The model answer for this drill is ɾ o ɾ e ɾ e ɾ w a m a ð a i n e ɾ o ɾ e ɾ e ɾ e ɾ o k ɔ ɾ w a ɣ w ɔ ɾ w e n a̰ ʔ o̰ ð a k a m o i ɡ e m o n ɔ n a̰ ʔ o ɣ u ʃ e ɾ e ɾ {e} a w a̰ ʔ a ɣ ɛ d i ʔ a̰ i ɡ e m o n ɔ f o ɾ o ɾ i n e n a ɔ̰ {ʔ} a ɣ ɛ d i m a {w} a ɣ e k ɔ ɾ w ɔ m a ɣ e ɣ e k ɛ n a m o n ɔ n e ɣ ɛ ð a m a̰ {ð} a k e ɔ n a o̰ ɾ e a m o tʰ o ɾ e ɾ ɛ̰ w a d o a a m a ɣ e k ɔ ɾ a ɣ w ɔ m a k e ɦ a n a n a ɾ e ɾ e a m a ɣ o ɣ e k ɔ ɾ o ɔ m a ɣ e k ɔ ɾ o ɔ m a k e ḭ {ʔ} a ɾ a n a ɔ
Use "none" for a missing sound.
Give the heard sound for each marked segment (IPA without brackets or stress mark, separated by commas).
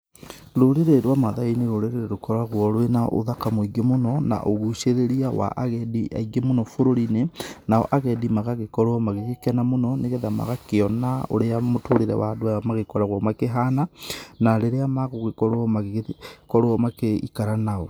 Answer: i, ʔ, ɣ, ɣ, k